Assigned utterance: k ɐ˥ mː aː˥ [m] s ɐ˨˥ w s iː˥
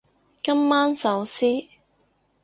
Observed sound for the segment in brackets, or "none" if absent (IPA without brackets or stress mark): n